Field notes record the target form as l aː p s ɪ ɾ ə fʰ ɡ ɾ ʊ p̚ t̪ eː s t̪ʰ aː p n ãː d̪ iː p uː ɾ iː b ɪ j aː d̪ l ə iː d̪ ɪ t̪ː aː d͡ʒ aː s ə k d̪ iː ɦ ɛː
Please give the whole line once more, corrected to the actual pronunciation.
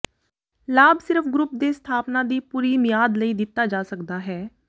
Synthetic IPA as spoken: l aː b s ɪ ɾ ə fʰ ɡ ɾ ʊ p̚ d̪ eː s t̪ʰ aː p n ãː d̪ iː p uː ɾ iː m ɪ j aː d̪ l ə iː d̪ ɪ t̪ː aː d͡ʒ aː s ə k d̪ aː ɦ ɛː